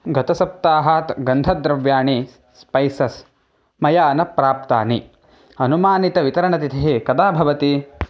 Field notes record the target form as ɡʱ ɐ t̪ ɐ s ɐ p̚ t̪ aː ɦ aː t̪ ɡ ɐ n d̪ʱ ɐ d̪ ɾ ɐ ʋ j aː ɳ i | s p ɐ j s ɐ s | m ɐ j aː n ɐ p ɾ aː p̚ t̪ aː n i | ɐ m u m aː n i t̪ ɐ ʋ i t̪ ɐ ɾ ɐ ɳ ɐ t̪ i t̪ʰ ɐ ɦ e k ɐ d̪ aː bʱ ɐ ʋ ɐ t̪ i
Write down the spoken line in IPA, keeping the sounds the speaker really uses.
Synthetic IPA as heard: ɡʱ ɐ t̪ ɐ s ɐ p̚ t̪ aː ɦ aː t̪ ɡ ɐ n d̪ʱ ɐ d̪ ɾ ɐ ʋ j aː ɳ i | s p ɐ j s ɐ s | m ɐ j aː n ɐ p ɾ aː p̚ t̪ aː n i | ɐ n u m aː n i t̪ ɐ ʋ i t̪ ɐ ɾ ɐ ɳ ɐ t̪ i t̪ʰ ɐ ɦ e k ɐ d̪ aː bʱ ɐ ʋ ɐ t̪ i